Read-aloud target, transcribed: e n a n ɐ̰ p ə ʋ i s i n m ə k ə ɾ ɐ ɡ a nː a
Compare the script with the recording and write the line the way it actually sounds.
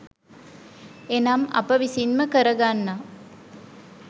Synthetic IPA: e n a m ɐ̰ p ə ʋ i s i n m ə k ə ɾ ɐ ɡ a nː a